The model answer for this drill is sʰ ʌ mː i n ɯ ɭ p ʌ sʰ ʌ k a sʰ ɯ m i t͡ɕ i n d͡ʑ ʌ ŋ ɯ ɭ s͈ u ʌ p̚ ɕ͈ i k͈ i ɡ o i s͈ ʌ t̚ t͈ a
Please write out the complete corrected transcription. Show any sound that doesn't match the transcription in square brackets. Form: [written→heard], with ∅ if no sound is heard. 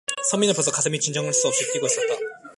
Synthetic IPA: sʰ ʌ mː i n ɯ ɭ p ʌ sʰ ʌ k a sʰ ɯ m i t͡ɕ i n d͡ʑ ʌ ŋ ɯ ɭ s͈ u ʌ p̚ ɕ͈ i k͈ i ɡ o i s͈ ʌ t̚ t͈ a